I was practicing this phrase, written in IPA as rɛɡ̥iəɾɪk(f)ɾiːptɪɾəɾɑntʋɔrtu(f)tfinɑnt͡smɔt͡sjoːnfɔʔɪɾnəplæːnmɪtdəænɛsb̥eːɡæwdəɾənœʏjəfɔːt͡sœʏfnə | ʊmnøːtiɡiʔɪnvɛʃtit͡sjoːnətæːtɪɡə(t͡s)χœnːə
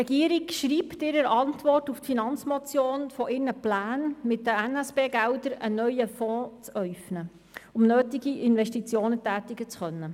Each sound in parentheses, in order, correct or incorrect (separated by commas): incorrect, correct, correct